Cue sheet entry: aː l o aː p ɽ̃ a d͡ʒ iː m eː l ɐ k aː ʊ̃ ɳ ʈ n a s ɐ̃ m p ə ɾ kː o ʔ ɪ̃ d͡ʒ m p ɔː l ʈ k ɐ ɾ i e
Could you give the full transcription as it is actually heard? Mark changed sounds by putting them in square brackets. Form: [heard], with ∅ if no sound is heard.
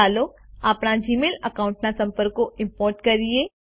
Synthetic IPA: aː l o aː p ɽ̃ a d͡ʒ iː m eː l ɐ k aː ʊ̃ ɳ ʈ n a s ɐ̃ m p ə ɾ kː o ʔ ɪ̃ [∅] m p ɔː [ɾ] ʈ k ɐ ɾ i e